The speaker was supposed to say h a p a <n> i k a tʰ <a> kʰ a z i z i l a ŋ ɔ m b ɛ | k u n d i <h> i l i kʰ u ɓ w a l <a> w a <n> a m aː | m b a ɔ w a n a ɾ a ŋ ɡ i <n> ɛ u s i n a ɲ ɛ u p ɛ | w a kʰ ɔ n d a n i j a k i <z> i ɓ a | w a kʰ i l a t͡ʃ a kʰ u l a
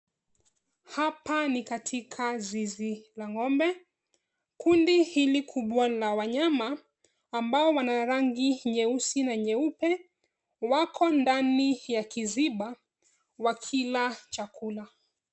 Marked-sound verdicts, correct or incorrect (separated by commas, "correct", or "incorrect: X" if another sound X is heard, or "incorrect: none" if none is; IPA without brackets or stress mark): correct, incorrect: i, correct, correct, incorrect: ɲ, incorrect: ɲ, correct